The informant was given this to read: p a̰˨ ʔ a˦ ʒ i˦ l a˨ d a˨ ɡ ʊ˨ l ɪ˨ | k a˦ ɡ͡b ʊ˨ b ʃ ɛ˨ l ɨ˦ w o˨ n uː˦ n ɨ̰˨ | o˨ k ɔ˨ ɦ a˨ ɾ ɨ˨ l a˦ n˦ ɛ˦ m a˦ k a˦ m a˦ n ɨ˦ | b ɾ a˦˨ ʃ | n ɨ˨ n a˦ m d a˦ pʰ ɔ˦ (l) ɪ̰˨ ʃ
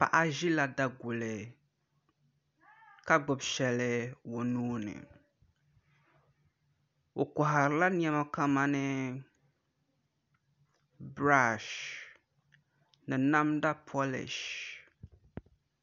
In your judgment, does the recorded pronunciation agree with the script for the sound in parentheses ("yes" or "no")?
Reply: yes